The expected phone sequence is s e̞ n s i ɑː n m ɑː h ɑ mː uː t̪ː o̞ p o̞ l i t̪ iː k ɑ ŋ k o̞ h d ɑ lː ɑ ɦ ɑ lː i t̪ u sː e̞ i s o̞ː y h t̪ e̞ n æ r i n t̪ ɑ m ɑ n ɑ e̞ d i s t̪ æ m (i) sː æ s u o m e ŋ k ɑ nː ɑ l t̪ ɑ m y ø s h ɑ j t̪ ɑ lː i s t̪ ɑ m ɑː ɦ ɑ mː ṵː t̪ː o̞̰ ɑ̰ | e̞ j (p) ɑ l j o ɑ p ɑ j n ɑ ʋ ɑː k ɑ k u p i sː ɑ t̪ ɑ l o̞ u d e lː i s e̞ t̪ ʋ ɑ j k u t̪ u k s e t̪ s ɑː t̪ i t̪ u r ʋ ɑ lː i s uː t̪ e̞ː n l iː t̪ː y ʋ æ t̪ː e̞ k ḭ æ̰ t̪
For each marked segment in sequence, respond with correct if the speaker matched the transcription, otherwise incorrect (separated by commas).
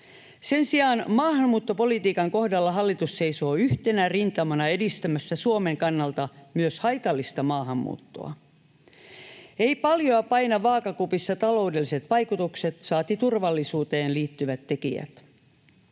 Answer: incorrect, correct